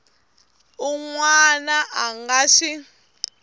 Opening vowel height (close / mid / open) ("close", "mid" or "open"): close